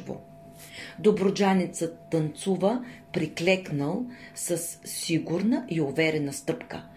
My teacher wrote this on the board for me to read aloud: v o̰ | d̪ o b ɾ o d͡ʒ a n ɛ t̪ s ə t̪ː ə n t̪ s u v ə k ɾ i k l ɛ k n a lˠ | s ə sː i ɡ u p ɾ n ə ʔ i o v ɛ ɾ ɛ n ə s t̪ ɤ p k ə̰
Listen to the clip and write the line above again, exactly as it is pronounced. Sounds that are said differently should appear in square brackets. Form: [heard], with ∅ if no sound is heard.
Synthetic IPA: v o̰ | d̪ o b ɾ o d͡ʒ a n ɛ t̪ s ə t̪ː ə n t̪ s u v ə [p] ɾ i k l ɛ k n [ə] lˠ | s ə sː i ɡ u [∅] ɾ n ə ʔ i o v ɛ ɾ ɛ n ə s t̪ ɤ p k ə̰